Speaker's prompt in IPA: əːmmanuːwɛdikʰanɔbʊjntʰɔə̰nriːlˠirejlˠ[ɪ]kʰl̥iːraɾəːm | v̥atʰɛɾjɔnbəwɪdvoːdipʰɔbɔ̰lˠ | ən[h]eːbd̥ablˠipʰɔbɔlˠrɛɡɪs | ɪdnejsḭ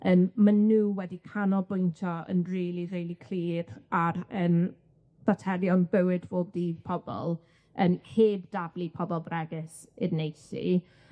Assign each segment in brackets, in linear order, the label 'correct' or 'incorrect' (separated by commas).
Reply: incorrect, correct